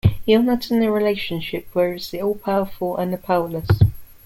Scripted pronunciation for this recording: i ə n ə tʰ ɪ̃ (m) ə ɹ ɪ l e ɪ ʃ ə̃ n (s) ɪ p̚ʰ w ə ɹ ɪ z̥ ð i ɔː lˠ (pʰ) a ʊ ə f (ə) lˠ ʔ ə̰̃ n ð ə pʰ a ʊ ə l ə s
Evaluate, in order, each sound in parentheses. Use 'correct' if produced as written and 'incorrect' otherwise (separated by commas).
incorrect, incorrect, correct, correct